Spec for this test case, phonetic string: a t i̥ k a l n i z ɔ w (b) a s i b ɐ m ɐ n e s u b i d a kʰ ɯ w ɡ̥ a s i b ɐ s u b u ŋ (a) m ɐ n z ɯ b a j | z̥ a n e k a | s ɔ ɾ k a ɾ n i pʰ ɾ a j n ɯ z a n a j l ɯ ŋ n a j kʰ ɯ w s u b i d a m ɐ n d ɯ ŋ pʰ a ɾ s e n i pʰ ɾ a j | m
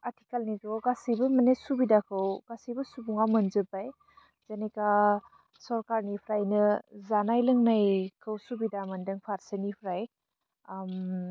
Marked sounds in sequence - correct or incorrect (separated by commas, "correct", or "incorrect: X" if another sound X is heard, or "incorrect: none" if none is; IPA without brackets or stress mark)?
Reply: incorrect: ɡ, correct